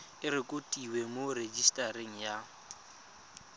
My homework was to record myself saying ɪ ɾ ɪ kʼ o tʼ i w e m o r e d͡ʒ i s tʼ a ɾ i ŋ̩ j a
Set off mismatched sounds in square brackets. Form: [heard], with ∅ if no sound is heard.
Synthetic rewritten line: ɪ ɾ ɪ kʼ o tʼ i w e m o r e d͡ʒ i s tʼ a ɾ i ŋ̩ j a